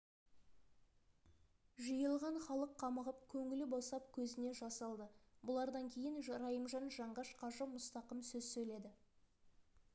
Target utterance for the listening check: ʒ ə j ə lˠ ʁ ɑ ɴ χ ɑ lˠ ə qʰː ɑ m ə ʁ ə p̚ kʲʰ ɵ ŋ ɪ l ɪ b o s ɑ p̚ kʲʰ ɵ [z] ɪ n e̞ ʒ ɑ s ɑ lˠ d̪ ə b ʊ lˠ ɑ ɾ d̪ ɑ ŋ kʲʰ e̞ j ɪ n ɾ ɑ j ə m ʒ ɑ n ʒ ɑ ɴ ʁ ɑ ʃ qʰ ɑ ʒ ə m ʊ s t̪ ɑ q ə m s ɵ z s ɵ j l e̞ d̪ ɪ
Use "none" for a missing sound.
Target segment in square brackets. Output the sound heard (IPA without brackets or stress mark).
z